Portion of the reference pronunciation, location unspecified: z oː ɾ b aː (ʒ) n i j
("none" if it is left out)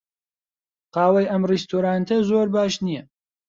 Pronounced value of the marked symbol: ʃ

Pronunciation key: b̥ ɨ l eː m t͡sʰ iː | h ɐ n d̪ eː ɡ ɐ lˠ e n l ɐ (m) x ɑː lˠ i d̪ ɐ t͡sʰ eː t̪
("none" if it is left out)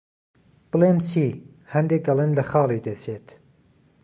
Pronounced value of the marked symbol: none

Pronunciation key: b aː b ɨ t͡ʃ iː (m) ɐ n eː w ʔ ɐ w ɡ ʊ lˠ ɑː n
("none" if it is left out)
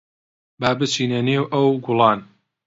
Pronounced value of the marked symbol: n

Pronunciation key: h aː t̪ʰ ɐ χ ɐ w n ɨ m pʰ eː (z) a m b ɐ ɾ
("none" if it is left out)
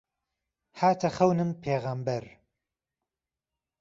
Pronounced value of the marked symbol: ɣ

